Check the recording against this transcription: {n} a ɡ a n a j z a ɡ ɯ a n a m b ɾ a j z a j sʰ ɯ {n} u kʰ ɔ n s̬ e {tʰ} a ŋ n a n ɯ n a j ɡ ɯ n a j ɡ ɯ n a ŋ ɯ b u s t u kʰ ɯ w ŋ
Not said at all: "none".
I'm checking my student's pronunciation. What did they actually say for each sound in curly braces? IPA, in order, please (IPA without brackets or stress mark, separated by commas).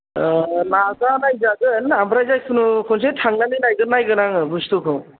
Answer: n, n, tʰ